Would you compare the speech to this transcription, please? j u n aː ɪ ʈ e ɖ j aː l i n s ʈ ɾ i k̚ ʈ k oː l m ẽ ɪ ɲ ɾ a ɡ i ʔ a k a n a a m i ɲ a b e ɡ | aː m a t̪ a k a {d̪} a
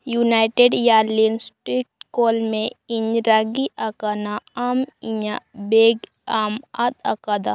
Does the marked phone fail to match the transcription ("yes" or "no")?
no